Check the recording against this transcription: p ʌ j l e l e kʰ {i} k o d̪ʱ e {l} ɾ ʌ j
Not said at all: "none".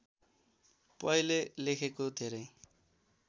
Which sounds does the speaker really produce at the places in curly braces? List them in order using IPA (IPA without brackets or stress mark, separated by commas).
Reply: e, none